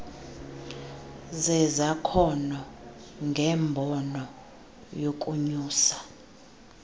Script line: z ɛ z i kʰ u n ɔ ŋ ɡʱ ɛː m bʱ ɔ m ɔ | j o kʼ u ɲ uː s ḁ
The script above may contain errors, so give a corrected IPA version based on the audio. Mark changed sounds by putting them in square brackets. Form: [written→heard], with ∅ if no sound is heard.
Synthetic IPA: z ɛ z [i→a] kʰ [u→ɔ] n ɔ ŋ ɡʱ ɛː m bʱ ɔ [m→n] ɔ | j o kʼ u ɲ uː s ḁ